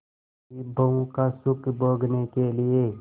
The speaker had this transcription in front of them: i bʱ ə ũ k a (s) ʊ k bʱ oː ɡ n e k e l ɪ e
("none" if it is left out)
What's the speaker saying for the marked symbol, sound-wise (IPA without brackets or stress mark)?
s